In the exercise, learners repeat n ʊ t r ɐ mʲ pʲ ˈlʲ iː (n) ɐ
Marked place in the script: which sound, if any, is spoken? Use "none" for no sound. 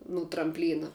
n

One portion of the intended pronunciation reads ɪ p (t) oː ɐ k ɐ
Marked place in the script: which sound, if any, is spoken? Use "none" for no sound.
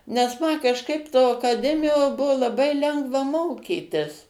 t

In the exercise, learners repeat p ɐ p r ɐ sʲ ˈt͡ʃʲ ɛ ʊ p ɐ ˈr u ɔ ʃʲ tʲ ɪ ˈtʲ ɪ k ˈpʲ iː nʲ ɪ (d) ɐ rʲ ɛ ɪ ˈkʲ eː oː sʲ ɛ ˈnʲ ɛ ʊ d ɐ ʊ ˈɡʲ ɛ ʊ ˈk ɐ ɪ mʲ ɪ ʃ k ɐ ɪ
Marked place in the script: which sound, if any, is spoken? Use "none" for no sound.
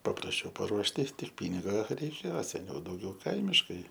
ɡ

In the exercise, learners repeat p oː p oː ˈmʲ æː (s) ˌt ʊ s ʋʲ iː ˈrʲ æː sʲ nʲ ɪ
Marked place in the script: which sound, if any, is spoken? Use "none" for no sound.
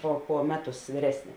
none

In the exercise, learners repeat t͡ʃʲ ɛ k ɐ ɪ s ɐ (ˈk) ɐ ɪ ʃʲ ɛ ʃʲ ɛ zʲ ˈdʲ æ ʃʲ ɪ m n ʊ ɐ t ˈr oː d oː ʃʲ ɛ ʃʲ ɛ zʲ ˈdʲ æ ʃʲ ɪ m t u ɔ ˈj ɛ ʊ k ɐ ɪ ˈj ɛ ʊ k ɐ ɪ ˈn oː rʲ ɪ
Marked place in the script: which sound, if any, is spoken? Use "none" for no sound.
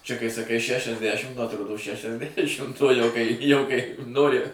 k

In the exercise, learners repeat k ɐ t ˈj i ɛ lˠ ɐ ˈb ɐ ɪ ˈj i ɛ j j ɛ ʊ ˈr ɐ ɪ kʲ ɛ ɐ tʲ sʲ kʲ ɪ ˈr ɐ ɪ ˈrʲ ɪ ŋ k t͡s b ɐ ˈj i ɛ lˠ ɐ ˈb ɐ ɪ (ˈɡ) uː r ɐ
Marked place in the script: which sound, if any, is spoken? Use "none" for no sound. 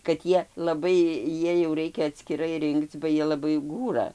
ɡ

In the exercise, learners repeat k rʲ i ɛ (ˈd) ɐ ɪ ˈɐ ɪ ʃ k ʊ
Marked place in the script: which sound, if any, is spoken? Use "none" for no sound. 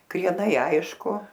n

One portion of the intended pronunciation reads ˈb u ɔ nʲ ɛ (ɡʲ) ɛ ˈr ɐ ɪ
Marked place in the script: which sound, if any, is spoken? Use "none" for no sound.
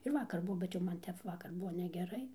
ɡʲ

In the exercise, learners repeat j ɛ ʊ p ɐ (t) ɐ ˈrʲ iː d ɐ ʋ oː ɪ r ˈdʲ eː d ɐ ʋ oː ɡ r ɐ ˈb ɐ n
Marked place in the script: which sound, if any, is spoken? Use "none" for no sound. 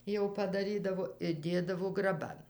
d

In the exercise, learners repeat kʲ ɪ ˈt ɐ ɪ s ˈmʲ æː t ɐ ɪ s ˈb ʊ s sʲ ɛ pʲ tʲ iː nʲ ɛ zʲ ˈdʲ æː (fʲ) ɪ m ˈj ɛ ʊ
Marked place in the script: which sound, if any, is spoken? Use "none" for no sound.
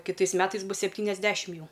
ʃʲ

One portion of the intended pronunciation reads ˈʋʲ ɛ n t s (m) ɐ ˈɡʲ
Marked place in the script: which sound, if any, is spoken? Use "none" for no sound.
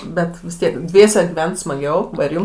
m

